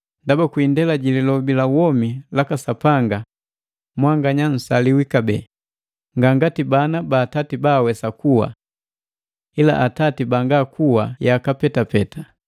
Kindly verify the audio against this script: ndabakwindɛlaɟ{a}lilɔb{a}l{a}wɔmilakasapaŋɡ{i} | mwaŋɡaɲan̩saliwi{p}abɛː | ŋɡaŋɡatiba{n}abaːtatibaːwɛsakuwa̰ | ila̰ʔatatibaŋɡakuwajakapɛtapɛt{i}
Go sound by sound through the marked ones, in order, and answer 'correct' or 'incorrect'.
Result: incorrect: i, incorrect: i, correct, incorrect: a, incorrect: k, correct, incorrect: a

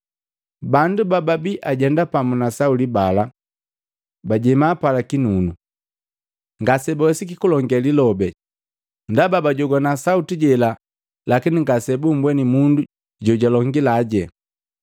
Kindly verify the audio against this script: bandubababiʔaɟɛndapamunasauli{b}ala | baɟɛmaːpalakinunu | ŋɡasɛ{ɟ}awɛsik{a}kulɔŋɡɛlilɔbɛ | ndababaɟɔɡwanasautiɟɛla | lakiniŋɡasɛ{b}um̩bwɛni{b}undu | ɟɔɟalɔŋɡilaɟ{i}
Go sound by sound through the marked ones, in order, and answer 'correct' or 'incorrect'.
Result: correct, incorrect: b, incorrect: i, correct, incorrect: m, incorrect: ɛ

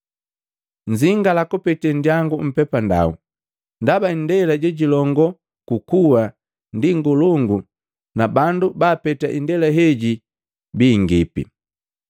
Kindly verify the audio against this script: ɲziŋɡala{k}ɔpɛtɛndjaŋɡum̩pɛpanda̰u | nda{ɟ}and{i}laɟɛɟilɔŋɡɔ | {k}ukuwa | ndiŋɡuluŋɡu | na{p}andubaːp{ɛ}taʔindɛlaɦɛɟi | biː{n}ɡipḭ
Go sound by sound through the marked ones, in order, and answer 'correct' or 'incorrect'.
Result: correct, incorrect: b, incorrect: ɛ, correct, incorrect: b, correct, incorrect: ŋ

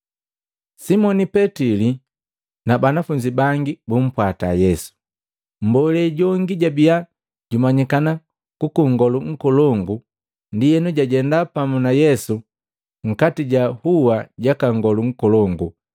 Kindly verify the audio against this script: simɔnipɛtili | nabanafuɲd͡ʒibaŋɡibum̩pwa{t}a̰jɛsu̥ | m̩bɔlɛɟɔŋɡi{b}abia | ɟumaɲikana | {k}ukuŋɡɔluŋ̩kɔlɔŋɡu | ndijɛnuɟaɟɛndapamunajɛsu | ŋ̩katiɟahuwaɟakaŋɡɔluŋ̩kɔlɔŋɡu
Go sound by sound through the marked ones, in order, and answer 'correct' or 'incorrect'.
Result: correct, incorrect: ɟ, correct

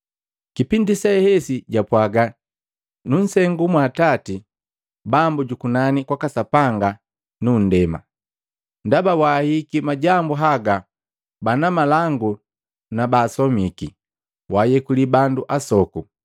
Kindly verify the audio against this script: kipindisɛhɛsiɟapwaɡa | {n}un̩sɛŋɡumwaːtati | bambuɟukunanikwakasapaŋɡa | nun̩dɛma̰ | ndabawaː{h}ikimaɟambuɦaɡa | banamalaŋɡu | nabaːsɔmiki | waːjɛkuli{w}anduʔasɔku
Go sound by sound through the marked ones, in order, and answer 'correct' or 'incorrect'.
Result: correct, correct, incorrect: b

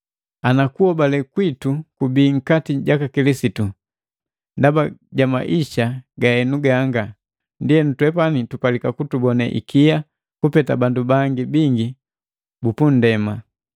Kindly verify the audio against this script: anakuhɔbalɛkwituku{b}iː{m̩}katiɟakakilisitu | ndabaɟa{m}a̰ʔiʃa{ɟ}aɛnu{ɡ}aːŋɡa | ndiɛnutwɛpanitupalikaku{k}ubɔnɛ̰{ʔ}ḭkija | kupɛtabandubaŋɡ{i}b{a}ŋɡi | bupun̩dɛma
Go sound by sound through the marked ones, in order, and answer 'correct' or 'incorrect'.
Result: correct, incorrect: ŋ̩, correct, incorrect: ɡ, correct, incorrect: t, correct, correct, incorrect: i

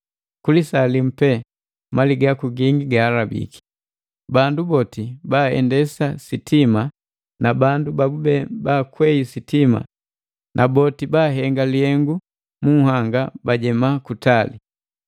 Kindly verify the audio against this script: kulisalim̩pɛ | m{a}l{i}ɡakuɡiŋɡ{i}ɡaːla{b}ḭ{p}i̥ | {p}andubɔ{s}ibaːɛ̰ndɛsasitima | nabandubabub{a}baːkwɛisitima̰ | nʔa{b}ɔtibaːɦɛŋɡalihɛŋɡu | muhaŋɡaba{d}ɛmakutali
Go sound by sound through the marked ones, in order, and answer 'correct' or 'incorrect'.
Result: correct, correct, correct, correct, incorrect: k, incorrect: b, incorrect: t, incorrect: ɛ, correct, incorrect: ɟ

